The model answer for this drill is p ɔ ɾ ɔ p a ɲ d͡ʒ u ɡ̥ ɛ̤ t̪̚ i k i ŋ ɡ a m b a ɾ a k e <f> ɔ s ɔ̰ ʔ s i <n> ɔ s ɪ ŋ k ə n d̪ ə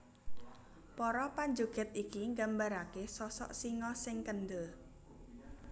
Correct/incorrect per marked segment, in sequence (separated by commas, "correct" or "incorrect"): incorrect, incorrect